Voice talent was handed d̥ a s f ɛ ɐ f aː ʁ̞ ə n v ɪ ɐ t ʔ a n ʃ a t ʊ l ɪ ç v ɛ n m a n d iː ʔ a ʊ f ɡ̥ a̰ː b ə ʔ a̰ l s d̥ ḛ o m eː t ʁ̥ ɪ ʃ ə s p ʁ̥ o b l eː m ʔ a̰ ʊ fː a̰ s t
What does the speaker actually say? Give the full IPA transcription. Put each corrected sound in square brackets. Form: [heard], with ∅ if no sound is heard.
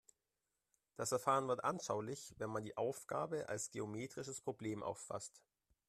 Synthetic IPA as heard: d̥ a s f ɛ ɐ f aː ʁ̞ ə n v ɪ ɐ t ʔ a n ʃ a [∅] ʊ l ɪ ç v ɛ n m a n d iː ʔ a ʊ f ɡ̥ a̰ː b ə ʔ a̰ l s [ɡ̥] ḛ o m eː t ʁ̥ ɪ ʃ ə s p ʁ̥ o b l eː m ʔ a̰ ʊ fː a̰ s t